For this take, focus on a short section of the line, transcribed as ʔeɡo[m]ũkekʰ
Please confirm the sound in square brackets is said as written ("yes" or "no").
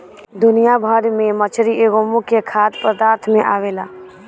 yes